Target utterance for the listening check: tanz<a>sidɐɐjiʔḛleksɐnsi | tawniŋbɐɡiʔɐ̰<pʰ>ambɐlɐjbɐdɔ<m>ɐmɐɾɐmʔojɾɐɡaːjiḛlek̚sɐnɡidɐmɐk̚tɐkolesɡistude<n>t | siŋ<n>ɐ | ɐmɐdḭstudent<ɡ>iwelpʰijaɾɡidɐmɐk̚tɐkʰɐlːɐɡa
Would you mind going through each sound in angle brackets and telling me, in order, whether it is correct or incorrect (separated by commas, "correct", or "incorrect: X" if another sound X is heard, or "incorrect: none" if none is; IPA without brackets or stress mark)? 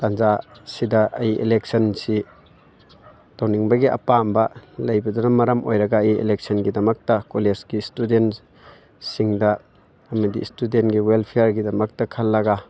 correct, incorrect: p, incorrect: n, correct, incorrect: d, correct